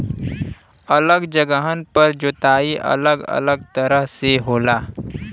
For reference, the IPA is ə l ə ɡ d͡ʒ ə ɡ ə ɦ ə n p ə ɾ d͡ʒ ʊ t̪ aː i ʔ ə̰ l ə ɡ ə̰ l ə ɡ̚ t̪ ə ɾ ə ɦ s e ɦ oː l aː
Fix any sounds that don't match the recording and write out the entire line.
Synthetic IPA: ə l ə ɡ d͡ʒ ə ɡ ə ɦ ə n p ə ɾ d͡ʒ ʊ t̪ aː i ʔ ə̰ l ə ɡ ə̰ l ə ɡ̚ t̪ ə ɾ ə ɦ s e ɦ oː l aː